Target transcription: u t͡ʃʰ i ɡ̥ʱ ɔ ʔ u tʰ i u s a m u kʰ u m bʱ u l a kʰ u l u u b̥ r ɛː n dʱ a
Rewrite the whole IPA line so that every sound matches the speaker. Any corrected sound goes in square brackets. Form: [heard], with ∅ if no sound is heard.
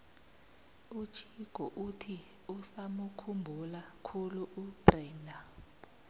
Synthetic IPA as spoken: u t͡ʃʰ i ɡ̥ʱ ɔ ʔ u tʰ i u s a m u kʰ u m bʱ u l a kʰ u l u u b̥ r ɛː n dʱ a